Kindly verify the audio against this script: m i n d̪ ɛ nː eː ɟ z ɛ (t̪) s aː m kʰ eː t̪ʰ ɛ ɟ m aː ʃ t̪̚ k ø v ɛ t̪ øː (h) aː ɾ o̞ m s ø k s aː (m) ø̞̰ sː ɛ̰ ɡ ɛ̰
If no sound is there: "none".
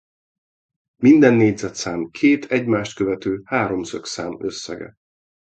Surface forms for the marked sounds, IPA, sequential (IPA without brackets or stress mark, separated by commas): t̪, h, m